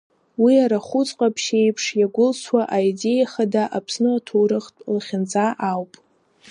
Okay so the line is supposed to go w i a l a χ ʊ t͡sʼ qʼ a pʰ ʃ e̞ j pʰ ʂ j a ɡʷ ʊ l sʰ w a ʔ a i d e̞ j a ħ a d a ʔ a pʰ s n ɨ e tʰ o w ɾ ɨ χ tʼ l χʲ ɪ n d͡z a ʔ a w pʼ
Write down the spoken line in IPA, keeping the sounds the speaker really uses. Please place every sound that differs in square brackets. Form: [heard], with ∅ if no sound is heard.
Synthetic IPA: w i a [ɾ] a χ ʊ t͡sʼ qʼ a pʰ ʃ e̞ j pʰ ʂ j a ɡʷ ʊ l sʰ w a ʔ a i d e̞ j a [χ] a d a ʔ a pʰ s n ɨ [a] tʰ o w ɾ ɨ χ tʼ l χʲ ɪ n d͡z a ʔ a w pʼ

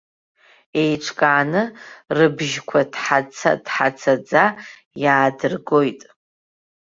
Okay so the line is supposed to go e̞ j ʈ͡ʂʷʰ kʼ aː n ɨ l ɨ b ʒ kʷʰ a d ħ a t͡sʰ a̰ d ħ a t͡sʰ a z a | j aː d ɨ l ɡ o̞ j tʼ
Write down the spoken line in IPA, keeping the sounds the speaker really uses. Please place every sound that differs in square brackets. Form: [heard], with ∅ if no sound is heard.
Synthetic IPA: e̞ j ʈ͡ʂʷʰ kʼ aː n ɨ [r] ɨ b ʒ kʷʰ a d ħ a t͡sʰ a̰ d ħ a t͡sʰ a [d͡z] a | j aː d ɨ [r] ɡ o̞ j tʼ

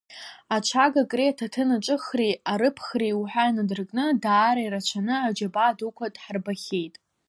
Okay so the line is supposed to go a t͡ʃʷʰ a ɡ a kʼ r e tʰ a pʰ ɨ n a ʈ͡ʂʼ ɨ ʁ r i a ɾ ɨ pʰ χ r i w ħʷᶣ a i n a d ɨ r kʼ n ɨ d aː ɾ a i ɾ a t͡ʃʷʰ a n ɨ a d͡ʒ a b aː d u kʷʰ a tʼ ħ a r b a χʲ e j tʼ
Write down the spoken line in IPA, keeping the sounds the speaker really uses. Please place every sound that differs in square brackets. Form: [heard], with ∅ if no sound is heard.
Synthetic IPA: a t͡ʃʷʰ a ɡ a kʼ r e tʰ a [tʰ] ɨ n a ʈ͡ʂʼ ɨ [χ] r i a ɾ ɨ pʰ χ r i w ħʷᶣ a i n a d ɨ r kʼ n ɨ d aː ɾ a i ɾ a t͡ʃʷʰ a n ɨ a d͡ʒ a b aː d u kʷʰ a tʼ ħ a r b a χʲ e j tʼ

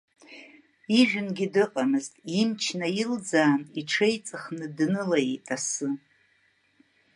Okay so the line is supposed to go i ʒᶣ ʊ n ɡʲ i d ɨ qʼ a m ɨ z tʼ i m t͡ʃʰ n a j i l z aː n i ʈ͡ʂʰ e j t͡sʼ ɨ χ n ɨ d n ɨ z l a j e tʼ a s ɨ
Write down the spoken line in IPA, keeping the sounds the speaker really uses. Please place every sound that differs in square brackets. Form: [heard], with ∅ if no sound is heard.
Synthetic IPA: i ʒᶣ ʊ n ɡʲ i d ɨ qʼ a m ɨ z tʼ i m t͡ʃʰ n a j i l [d͡z] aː n i ʈ͡ʂʰ e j t͡sʼ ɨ χ n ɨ d n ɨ [∅] l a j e tʼ a s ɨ

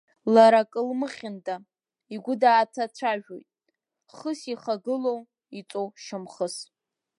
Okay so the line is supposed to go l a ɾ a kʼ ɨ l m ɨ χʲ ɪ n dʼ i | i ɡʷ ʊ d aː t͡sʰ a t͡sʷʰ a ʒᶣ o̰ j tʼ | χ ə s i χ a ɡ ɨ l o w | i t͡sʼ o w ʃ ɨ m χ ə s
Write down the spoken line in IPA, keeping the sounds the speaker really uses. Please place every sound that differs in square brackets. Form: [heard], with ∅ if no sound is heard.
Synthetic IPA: l a ɾ a kʼ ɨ l m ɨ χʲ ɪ n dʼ [a] | i ɡʷ ʊ d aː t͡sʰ a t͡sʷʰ a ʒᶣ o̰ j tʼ | χ ə s i χ a ɡ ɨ l o w | i t͡sʼ o w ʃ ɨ m χ ə s

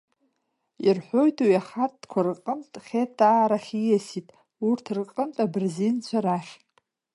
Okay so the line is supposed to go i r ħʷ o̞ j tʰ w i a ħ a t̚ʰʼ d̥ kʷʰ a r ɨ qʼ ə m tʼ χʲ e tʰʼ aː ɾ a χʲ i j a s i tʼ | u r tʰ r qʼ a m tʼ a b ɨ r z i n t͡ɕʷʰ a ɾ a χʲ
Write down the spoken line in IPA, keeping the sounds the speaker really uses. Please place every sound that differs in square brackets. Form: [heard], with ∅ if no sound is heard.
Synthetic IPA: i r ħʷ o̞ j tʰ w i a [χ] a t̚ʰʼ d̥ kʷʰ a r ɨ qʼ ə m tʼ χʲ e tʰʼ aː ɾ a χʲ i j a s i tʼ | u r tʰ r qʼ [ə] m tʼ a b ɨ r z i n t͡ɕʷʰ a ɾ a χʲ

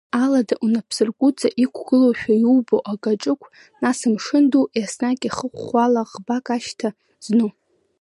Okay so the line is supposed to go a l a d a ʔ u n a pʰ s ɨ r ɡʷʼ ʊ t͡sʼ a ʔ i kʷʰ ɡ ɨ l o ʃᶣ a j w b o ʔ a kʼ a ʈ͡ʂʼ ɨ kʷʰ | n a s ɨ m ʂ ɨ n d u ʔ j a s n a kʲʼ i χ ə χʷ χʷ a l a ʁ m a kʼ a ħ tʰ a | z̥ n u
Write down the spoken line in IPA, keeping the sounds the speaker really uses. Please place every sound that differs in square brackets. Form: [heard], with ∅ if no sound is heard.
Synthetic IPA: a l a d a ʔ u n a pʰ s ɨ r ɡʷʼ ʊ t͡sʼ a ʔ i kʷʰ ɡ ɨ l o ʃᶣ a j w b o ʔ a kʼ a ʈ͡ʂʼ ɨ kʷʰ | n a s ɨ m ʂ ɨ n d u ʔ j a s n a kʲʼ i χ ə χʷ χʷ a l a ʁ [b] a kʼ a [ʃ] tʰ a | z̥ n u

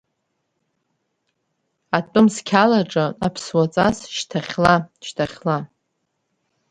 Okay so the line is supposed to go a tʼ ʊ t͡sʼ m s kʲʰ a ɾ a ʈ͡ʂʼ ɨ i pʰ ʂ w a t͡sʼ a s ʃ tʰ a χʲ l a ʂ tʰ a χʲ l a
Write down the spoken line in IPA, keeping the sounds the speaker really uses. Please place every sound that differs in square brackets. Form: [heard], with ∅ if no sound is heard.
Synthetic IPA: a tʼ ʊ [∅] m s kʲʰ a [l] a ʈ͡ʂʼ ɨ [a] pʰ [s] w a t͡sʼ a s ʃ tʰ a χʲ l a [ʃ] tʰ a χʲ l a

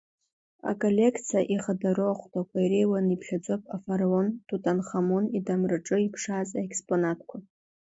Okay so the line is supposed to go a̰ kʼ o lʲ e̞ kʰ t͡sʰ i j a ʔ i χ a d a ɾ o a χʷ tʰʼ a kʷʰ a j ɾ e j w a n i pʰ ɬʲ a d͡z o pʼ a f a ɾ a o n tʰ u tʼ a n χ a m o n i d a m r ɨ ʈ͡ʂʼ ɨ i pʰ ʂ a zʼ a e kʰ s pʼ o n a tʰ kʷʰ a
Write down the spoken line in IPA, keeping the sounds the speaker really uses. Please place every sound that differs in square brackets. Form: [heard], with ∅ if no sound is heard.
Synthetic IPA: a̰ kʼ o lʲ e̞ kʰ t͡sʰ i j a ʔ i χ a d a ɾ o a χʷ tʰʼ a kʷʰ a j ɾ e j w a n i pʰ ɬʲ a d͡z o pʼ a f a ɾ a o n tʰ u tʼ a n χ a m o n i d a m r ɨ ʈ͡ʂʼ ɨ i pʰ ʂ a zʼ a e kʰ s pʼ o n a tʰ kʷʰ a

